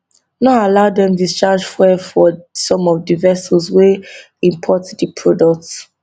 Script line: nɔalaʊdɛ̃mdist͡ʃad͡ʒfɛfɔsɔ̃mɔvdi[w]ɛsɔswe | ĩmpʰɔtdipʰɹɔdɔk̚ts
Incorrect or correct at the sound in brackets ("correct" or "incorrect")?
incorrect